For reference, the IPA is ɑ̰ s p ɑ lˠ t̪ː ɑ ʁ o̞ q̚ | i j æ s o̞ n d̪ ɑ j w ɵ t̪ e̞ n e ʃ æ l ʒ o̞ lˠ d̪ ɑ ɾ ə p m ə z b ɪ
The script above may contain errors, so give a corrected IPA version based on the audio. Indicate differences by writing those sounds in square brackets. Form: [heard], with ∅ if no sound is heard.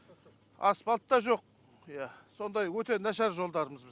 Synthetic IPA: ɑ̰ s p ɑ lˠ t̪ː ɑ [ʒ] o̞ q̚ | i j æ s o̞ n d̪ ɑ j w ɵ t̪ e̞ n [æ] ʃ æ [ɾ] ʒ o̞ lˠ d̪ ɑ ɾ ə [∅] m ə z b ɪ